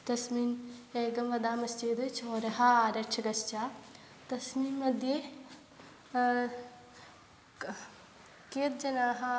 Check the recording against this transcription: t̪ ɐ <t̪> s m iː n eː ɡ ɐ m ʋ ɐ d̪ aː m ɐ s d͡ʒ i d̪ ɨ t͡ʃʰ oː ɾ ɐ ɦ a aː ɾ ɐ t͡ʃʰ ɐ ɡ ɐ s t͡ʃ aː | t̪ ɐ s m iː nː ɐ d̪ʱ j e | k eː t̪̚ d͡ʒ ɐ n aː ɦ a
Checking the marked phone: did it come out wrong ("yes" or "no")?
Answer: yes